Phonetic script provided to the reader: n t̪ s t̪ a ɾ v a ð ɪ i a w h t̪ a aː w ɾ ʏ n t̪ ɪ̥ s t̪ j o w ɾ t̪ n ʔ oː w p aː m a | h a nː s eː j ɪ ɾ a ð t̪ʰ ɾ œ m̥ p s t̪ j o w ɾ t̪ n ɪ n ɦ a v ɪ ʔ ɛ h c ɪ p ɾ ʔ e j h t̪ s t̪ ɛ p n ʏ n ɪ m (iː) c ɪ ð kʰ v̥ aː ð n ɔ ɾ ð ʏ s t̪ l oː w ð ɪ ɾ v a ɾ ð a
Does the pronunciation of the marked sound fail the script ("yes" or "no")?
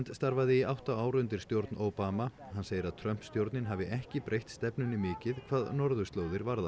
yes